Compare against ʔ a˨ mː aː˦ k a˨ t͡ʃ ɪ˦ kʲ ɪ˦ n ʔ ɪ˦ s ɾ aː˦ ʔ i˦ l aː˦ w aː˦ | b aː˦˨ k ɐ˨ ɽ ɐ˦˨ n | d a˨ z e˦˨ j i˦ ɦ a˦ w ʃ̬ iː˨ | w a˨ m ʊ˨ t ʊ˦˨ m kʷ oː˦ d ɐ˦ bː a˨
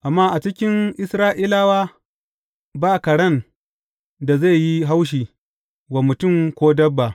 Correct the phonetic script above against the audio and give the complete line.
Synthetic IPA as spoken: ʔ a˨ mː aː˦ ʔ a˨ t͡ʃ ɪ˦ kʲ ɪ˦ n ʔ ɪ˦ s ɾ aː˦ ʔ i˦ l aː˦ w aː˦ | b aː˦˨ k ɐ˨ ɽ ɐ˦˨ n | d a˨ z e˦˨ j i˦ ɦ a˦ w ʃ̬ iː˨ | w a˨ m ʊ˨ t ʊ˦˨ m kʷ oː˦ d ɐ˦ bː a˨